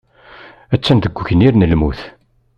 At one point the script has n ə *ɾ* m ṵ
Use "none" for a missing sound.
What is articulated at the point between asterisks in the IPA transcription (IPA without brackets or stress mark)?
l